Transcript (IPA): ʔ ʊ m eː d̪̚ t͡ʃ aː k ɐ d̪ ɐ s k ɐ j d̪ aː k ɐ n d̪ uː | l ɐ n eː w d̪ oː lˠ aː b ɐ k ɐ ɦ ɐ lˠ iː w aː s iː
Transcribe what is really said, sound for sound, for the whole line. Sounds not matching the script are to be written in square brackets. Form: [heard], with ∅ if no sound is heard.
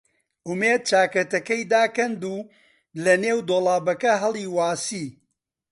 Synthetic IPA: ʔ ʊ m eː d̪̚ t͡ʃ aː k ɐ [t̪] ɐ [∅] k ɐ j d̪ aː k ɐ n d̪ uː | l ɐ n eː w d̪ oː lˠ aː b ɐ k ɐ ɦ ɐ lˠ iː w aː s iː